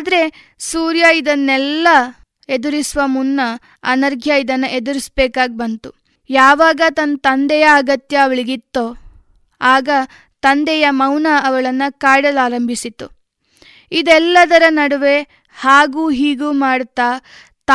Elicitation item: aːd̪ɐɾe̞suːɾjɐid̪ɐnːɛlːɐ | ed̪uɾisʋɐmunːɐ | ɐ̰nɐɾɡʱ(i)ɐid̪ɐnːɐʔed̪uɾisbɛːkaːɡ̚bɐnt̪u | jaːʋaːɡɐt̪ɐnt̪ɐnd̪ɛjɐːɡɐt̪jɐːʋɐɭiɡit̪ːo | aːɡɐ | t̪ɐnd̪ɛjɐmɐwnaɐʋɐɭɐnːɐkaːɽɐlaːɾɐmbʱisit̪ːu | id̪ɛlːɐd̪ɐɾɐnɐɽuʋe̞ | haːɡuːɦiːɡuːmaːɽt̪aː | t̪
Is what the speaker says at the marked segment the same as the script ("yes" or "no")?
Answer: no